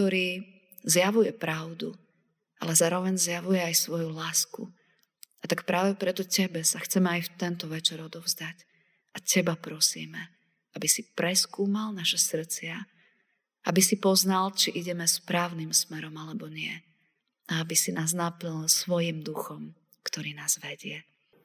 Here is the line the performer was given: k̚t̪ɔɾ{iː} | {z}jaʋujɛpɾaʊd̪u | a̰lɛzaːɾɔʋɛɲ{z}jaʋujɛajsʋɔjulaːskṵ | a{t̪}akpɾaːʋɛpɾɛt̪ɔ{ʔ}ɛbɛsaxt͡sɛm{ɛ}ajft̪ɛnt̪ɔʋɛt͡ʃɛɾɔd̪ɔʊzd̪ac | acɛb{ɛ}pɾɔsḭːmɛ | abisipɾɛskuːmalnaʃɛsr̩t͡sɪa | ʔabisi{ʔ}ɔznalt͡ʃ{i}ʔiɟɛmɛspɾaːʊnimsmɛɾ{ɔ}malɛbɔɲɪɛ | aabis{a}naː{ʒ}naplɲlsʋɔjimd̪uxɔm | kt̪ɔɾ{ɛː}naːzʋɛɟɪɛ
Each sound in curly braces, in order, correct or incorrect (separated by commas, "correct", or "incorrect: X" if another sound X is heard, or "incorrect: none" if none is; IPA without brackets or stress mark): correct, correct, correct, correct, incorrect: c, correct, incorrect: a, incorrect: p, correct, correct, incorrect: i, incorrect: z, incorrect: iː